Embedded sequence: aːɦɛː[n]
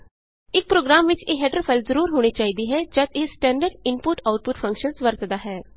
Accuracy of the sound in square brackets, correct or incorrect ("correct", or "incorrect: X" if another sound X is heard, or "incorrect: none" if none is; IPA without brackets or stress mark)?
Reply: incorrect: none